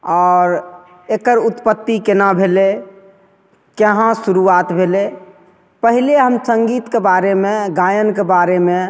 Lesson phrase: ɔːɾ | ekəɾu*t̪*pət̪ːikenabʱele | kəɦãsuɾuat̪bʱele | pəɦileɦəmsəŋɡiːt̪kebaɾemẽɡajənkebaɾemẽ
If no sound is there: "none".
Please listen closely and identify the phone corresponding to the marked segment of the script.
t̪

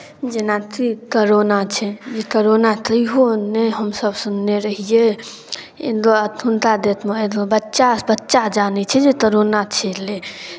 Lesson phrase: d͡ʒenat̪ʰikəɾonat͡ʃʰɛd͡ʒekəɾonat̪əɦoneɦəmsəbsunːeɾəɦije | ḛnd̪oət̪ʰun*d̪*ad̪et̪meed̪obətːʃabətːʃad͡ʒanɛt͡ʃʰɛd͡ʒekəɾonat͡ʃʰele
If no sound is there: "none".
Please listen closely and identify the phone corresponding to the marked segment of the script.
t̪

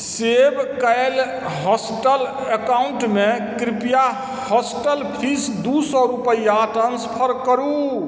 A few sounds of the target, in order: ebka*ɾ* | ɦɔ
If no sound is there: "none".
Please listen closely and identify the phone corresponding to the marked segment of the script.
l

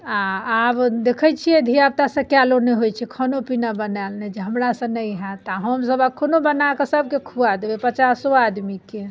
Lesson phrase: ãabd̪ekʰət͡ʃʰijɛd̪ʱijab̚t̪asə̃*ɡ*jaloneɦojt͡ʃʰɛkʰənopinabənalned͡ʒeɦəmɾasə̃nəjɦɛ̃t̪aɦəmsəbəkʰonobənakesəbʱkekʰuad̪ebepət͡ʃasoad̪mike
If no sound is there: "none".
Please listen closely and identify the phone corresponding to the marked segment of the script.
k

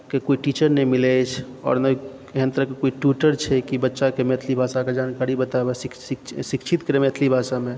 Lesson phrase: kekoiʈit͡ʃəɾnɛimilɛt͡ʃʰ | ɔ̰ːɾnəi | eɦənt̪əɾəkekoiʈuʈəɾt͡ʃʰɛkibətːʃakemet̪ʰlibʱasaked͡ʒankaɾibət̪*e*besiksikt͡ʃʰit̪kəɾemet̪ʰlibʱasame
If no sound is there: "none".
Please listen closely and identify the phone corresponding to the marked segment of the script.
a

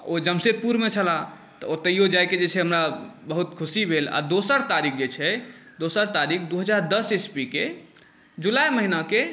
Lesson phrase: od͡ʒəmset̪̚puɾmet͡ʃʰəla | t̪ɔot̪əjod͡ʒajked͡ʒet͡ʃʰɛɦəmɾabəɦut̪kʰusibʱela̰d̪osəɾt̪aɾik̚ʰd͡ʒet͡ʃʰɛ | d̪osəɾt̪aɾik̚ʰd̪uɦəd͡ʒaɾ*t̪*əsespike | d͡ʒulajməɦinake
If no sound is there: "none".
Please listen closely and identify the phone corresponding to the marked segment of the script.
d̪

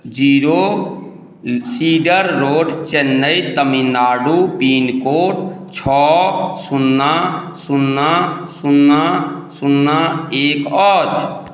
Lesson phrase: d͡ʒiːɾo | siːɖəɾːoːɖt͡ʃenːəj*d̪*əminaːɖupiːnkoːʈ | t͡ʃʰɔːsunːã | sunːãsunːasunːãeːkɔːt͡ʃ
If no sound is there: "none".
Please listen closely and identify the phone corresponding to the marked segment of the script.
t̪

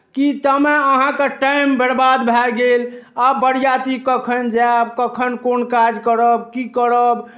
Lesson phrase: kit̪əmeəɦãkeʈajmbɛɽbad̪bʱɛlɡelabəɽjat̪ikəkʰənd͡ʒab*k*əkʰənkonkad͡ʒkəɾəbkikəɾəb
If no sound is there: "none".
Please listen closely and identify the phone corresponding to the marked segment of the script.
k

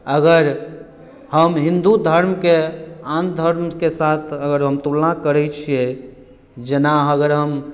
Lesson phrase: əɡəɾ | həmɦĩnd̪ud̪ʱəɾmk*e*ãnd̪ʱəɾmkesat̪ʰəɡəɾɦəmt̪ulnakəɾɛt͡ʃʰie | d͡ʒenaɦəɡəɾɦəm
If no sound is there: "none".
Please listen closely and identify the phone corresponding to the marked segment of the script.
e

